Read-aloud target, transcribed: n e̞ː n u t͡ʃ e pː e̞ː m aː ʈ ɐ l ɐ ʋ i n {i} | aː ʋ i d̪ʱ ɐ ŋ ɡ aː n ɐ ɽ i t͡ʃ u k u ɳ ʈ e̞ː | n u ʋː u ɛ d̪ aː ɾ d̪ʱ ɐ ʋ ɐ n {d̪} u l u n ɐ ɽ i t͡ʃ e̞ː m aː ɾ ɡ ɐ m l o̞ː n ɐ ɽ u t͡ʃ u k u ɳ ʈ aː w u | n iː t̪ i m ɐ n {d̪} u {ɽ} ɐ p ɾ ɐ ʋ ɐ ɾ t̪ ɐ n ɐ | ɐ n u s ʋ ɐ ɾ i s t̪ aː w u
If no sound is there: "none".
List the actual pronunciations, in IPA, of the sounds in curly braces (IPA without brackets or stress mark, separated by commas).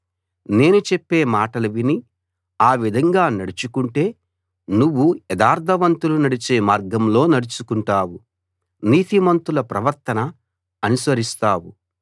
i, t̪, t̪, l